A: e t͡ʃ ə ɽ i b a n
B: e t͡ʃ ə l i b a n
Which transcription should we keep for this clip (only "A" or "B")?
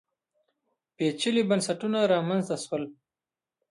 B